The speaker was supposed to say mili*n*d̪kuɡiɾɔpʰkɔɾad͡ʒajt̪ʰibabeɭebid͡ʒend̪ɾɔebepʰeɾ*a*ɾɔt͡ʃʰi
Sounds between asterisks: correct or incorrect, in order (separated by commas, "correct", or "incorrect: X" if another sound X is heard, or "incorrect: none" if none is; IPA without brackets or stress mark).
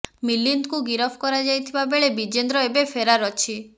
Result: correct, correct